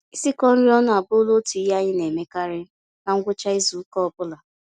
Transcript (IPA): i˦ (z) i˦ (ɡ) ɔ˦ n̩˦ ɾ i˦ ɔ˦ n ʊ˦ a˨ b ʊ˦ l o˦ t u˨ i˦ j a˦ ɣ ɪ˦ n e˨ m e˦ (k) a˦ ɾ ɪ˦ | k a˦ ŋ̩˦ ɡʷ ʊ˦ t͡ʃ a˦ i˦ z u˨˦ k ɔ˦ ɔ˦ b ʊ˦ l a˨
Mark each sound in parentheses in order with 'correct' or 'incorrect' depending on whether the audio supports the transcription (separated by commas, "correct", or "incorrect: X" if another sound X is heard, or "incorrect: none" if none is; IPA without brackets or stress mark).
incorrect: s, incorrect: k, correct